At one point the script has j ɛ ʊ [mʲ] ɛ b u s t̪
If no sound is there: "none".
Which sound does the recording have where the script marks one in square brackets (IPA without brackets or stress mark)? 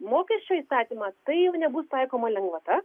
nʲ